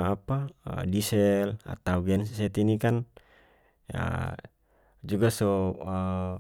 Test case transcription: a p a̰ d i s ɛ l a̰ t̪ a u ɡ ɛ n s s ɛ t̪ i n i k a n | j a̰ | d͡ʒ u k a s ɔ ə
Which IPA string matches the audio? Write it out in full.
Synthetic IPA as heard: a p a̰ d i s ɛ l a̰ t̪ a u ɡ ɛ n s s ɛ t̪ i n i k a n | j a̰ | d͡ʒ u ɡ a s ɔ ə